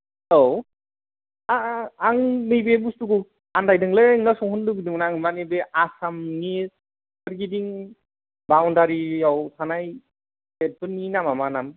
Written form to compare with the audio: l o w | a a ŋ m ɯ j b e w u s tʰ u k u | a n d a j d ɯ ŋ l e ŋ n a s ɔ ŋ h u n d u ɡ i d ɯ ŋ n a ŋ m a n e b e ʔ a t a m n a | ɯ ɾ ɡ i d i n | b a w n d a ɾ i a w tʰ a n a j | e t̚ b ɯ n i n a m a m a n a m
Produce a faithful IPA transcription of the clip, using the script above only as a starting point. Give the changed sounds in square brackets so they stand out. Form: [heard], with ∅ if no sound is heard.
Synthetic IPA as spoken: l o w | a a ŋ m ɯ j b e [b] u s [t] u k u | a n d a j d ɯ ŋ l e ŋ n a s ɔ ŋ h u n d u ɡ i d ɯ ŋ n a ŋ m a n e b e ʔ a [s] a m n [i] | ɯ ɾ ɡ i d i [ŋ] | b a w n d a ɾ i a w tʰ a n a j | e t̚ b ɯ n i n a m a m a n a m